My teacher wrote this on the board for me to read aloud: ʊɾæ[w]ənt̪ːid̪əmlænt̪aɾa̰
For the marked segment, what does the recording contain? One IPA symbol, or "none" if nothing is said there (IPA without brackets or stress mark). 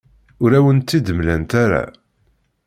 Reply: w